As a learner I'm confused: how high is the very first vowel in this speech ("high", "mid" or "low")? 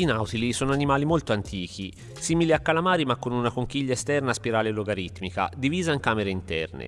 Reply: high